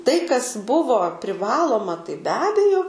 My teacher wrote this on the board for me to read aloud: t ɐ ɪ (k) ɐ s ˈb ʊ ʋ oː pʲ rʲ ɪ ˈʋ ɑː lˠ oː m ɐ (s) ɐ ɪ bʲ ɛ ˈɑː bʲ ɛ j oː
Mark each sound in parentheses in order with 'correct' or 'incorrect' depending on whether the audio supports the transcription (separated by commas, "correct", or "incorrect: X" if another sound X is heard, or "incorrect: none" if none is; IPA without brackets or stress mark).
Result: correct, incorrect: t